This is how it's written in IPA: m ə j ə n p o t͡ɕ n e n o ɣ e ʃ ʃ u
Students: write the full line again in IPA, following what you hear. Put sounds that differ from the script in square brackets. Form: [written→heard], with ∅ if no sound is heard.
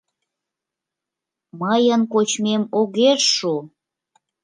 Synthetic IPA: m ə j ə n [p→k] o t͡ɕ [n→m] e [n→m] o ɣ e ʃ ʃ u